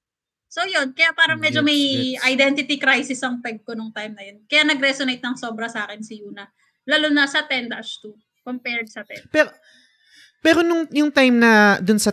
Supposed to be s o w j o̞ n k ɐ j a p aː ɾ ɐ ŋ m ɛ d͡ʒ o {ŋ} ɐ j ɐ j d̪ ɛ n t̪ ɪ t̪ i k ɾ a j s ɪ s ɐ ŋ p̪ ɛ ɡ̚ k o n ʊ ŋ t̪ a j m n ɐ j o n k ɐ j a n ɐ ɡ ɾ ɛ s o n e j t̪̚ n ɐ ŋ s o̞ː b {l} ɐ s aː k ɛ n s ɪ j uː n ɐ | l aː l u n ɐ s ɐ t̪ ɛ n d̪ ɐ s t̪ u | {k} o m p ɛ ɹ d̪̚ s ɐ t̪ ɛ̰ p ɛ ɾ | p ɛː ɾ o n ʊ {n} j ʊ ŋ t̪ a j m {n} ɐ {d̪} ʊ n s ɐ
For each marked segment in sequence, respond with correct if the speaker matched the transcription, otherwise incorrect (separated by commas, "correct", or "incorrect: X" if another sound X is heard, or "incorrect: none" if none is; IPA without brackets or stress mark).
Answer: incorrect: m, incorrect: ɾ, correct, incorrect: ŋ, correct, correct